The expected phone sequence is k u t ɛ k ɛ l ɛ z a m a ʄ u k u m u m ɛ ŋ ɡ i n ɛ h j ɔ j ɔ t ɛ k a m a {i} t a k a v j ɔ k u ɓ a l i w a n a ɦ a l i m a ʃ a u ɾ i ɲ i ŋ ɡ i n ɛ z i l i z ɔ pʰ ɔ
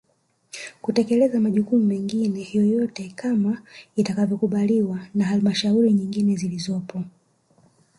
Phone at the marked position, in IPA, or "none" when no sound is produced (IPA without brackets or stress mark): i